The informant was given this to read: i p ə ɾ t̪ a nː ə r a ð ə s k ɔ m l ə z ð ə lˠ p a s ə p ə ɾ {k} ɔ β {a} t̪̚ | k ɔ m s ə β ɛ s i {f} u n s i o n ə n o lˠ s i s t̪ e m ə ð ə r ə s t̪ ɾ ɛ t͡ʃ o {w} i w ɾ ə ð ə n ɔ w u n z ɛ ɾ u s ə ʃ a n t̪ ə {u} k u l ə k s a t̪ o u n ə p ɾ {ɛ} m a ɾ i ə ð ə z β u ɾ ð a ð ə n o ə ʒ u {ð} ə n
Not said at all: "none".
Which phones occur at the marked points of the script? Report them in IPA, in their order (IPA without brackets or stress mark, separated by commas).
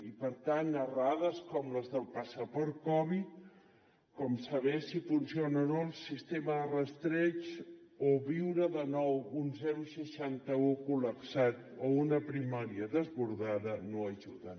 k, i, f, β, u, i, ð